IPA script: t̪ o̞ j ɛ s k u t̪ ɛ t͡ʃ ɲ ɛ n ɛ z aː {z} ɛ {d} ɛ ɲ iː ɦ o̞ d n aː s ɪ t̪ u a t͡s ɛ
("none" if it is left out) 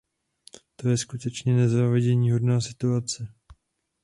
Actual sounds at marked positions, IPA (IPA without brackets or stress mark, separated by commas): v, ɟ